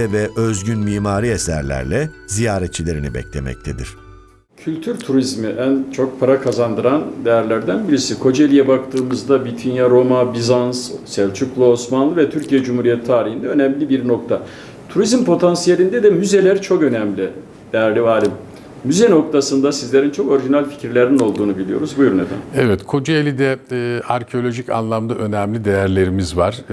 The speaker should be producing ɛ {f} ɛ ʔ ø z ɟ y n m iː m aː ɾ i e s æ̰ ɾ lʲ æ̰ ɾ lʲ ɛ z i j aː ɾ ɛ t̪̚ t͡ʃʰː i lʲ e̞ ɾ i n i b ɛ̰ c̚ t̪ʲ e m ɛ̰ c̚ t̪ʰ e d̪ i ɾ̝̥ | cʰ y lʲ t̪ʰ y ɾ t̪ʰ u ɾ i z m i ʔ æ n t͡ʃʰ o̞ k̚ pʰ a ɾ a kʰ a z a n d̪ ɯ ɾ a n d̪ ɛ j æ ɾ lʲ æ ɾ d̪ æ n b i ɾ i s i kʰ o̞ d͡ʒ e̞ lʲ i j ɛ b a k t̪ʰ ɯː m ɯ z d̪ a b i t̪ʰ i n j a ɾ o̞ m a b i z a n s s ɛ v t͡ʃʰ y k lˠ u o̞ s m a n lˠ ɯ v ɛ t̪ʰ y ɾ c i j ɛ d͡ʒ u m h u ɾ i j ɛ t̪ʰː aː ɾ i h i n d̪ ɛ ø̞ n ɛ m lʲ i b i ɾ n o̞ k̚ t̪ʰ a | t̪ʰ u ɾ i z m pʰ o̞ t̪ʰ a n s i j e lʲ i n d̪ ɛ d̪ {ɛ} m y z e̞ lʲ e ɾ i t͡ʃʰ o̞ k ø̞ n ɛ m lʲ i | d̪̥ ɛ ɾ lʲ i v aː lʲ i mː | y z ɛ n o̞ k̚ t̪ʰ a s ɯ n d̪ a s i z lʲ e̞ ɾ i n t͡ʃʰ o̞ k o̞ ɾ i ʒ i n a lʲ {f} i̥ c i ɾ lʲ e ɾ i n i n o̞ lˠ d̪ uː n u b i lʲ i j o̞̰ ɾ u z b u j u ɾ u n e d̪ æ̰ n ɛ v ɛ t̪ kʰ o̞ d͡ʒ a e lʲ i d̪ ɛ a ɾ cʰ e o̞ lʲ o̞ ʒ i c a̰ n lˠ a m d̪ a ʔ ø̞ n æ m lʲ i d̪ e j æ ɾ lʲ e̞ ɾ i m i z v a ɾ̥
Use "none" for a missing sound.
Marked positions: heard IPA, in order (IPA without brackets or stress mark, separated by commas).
v, ɛ, f